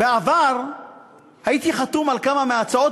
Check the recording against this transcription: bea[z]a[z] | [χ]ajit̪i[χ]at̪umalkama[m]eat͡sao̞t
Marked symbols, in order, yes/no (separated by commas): no, no, no, yes, yes